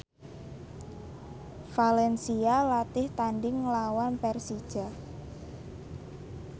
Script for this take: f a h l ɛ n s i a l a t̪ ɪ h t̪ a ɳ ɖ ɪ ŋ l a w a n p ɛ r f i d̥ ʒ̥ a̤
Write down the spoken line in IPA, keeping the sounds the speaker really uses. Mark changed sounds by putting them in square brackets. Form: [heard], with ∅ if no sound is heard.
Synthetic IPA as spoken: f a [∅] l ɛ n s i a l a t̪ ɪ h t̪ a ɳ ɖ ɪ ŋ l a w a n p ɛ r [s] i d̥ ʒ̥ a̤